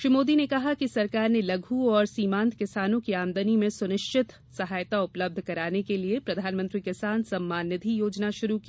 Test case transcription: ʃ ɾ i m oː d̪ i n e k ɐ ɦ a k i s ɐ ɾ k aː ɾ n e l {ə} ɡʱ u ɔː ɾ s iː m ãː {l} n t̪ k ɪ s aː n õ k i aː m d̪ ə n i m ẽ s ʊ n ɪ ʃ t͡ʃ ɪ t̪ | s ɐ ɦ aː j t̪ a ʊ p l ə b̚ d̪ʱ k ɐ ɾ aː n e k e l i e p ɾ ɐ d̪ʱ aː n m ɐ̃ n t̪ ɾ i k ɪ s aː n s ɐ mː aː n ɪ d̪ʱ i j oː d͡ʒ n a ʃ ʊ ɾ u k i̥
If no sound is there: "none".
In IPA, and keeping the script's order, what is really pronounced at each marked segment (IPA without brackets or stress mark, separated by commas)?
ɐ, none